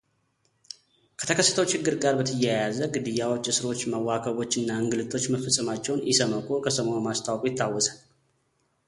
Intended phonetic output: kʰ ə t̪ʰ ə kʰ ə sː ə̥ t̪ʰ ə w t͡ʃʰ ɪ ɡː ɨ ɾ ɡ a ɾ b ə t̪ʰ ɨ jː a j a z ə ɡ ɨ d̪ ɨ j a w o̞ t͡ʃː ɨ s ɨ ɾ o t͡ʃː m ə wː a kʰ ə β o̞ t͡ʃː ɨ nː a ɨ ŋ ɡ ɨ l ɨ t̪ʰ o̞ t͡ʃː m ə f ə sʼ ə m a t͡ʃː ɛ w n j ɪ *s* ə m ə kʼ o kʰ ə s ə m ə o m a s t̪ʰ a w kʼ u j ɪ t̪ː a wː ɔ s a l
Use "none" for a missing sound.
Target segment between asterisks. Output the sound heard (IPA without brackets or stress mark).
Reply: s